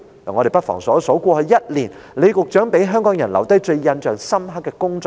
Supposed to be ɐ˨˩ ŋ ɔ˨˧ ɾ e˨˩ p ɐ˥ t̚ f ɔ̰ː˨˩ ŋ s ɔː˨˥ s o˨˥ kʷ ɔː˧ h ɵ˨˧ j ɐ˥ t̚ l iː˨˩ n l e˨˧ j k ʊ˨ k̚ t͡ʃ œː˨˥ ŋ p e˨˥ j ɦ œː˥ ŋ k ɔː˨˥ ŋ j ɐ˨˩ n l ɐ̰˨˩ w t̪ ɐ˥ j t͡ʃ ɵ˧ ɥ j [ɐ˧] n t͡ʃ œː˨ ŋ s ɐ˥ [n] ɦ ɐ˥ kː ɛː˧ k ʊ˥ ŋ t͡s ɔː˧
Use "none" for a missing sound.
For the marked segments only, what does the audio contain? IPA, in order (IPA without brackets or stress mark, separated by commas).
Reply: ɐ˧, m